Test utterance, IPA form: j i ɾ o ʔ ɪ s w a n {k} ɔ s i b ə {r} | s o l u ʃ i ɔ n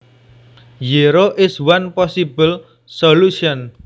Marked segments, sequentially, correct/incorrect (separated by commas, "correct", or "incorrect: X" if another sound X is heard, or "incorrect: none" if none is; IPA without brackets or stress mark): incorrect: p, incorrect: l